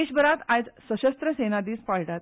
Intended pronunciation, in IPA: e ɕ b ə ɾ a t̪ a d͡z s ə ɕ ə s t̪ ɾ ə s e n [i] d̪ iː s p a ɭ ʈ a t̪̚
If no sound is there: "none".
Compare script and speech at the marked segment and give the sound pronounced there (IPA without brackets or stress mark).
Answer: a